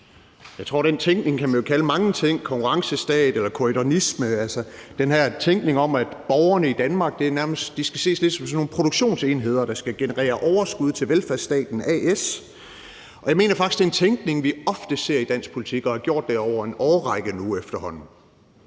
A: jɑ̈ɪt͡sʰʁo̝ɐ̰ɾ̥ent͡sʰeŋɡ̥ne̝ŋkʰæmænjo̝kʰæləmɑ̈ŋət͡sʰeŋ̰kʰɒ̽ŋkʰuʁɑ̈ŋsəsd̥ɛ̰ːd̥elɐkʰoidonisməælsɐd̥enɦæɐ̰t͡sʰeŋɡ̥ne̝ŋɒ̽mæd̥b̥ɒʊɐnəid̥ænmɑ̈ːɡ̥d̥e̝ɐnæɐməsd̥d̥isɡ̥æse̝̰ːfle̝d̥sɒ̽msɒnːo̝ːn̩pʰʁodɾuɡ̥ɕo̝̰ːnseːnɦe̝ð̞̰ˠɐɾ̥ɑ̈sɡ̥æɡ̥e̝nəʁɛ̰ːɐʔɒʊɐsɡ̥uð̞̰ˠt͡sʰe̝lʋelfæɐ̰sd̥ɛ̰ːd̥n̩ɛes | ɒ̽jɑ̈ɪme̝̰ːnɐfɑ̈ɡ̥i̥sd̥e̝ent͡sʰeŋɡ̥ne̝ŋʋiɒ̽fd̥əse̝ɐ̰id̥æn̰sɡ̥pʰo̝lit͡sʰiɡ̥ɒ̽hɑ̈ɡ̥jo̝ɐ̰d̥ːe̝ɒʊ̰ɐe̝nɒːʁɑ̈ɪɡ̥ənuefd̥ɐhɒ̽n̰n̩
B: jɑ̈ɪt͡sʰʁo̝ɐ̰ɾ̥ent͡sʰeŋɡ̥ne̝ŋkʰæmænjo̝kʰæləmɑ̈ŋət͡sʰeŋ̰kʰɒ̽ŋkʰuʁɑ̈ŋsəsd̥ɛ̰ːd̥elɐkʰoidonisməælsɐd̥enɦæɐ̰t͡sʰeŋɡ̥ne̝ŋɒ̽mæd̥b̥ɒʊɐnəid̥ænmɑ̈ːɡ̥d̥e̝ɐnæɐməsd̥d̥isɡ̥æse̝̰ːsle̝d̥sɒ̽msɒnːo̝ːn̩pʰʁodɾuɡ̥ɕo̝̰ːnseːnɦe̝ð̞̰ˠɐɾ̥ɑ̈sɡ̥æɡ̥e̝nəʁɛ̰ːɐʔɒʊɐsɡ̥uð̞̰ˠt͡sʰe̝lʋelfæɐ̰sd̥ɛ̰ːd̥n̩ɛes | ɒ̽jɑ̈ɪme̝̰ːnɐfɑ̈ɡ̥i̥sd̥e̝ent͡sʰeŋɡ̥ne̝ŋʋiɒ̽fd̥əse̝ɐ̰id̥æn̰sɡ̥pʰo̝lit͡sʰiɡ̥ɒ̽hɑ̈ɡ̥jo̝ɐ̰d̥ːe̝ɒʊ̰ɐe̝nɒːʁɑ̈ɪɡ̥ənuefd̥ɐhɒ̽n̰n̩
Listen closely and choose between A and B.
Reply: B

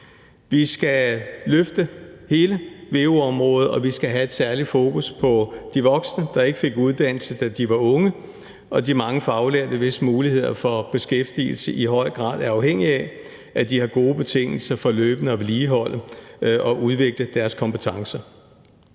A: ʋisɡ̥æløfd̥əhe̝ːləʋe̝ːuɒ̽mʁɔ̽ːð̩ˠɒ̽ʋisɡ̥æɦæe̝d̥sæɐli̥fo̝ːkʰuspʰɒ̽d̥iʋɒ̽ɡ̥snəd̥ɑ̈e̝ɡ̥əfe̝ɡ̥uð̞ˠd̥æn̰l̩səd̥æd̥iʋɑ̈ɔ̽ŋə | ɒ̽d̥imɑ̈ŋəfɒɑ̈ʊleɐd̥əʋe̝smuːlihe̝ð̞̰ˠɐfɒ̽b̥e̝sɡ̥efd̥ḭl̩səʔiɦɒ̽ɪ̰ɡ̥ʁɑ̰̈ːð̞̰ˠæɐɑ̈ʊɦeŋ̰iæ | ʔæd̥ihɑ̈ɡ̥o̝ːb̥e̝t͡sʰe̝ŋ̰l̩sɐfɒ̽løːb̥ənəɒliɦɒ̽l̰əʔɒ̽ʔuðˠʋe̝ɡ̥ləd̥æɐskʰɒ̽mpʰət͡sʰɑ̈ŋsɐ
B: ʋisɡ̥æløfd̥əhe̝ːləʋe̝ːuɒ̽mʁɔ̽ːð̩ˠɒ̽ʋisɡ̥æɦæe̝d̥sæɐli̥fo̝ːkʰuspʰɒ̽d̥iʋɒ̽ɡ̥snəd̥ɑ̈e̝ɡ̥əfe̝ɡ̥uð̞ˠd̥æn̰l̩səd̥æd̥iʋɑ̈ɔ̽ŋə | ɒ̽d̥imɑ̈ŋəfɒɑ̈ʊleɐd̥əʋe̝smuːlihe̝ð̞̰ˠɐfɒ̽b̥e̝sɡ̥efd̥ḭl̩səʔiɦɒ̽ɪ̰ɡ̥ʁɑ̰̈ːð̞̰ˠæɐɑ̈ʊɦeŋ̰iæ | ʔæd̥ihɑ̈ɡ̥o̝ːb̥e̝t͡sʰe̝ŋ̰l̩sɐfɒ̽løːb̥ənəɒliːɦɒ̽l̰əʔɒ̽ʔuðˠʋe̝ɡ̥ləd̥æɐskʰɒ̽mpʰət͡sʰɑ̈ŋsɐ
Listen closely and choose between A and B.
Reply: B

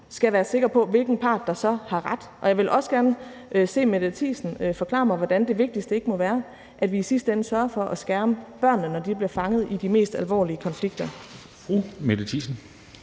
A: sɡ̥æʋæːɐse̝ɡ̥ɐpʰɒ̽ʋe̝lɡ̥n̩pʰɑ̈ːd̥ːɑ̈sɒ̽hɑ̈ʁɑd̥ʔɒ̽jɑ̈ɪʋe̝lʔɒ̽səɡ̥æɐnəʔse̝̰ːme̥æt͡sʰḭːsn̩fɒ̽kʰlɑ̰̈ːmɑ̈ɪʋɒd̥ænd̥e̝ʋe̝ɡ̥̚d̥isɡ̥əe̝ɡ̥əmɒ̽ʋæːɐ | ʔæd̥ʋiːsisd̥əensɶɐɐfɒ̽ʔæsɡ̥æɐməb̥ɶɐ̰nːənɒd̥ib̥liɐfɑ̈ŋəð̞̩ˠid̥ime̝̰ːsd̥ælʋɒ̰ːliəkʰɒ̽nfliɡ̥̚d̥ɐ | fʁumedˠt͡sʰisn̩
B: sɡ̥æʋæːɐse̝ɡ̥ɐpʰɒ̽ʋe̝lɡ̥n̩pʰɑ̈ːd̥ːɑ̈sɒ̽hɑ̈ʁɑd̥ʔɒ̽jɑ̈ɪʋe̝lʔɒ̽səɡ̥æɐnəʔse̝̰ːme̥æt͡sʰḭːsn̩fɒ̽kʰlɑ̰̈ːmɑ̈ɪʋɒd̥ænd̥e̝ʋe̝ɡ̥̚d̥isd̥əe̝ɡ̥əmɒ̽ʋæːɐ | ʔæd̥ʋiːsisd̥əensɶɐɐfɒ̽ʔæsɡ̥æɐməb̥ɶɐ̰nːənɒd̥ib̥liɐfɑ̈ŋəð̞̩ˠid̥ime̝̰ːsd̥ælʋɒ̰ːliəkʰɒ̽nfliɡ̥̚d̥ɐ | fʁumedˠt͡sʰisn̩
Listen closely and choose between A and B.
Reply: B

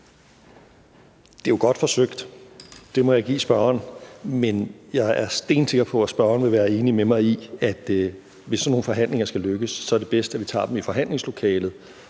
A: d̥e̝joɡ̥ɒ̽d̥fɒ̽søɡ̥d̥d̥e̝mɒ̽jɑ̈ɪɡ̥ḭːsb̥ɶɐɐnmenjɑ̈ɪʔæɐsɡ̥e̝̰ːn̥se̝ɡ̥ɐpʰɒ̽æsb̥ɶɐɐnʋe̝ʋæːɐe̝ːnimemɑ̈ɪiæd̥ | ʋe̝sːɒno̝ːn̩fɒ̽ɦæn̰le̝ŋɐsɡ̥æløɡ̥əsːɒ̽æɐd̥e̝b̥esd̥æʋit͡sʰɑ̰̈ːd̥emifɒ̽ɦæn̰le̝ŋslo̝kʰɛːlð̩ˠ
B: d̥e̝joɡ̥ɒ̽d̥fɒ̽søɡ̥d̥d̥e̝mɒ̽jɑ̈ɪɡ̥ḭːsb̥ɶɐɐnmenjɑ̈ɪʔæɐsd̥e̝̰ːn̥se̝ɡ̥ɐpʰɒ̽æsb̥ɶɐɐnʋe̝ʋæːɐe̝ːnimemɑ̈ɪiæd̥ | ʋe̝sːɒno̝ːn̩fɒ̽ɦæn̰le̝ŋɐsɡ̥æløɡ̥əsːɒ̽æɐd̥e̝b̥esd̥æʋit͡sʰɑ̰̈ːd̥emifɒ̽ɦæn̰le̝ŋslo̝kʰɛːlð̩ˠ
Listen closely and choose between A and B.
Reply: B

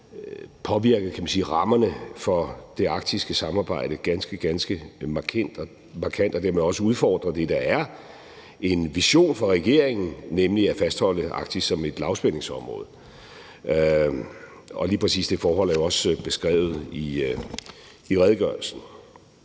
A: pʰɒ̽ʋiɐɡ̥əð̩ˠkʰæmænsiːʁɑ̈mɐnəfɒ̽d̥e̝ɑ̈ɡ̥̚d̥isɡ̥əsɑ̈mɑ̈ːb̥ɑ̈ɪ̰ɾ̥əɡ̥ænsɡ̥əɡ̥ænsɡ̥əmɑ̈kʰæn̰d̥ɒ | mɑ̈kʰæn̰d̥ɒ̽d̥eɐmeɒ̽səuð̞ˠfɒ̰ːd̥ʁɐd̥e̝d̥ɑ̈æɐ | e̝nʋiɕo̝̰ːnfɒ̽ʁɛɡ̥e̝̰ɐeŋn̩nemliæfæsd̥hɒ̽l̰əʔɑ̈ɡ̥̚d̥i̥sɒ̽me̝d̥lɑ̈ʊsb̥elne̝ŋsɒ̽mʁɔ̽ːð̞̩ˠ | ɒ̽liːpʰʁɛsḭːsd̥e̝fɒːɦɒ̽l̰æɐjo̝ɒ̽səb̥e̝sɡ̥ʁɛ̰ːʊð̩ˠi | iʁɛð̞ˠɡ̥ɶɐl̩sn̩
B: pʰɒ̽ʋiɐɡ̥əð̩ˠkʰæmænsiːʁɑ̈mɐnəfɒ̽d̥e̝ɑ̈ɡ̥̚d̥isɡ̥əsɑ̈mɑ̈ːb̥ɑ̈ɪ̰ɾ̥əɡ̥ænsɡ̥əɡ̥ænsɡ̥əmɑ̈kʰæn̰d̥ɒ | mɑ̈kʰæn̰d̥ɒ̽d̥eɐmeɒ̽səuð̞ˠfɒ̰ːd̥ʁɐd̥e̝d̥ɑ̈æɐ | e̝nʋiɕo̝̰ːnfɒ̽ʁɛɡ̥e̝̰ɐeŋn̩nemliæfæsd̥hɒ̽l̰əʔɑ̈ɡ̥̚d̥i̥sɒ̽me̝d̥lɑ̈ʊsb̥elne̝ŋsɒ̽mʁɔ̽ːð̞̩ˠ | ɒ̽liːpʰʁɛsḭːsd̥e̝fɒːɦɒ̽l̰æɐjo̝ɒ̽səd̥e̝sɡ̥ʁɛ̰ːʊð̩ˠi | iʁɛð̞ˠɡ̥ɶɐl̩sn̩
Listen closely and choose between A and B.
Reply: A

